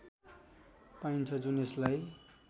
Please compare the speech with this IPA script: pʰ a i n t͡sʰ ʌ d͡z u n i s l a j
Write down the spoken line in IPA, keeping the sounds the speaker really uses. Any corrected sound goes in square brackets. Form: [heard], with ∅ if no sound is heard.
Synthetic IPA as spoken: [p] a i n t͡sʰ ʌ d͡z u n [e] s l a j